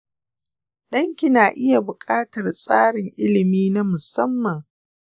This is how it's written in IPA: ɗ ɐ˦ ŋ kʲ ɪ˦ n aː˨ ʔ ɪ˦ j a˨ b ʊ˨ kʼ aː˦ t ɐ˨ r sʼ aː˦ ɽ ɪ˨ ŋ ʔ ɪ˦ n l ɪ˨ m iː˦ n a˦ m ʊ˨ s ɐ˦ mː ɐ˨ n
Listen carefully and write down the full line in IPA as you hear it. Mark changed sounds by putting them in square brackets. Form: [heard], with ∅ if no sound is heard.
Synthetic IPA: ɗ ɐ˦ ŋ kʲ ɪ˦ n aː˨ ʔ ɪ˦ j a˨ b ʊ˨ kʼ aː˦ t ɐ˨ r sʼ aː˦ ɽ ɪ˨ ŋ ʔ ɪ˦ [∅] l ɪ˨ m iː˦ n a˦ m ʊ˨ s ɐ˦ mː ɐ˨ [ŋ]